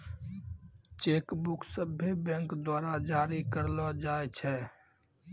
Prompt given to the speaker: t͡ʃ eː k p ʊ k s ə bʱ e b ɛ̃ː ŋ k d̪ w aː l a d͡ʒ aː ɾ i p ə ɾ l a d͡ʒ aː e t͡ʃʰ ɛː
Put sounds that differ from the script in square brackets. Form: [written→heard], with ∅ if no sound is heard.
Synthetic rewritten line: t͡ʃ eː k [p→b] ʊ k s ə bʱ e b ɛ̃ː ŋ k d̪ w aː [l→ɾ] a d͡ʒ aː ɾ i [p→k] ə ɾ l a d͡ʒ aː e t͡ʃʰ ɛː